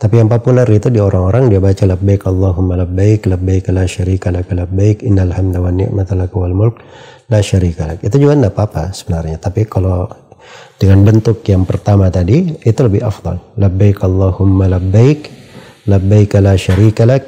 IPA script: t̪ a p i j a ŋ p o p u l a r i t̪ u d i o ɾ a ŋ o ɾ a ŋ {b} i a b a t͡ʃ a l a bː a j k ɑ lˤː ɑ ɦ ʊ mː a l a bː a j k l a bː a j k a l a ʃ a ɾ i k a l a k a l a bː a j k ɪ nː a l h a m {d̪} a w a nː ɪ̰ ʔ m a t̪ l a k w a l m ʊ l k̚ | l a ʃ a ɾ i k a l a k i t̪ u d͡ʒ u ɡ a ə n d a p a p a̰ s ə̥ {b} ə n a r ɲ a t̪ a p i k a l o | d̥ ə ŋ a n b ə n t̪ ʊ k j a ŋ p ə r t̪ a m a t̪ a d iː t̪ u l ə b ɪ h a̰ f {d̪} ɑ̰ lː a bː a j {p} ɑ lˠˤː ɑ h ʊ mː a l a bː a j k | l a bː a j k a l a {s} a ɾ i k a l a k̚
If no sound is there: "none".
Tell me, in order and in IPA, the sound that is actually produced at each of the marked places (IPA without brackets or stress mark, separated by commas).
d, d̪, b, d̪, k, ʃ